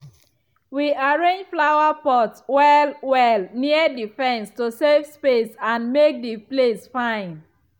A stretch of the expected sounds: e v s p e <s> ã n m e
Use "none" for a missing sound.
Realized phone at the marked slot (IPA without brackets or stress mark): s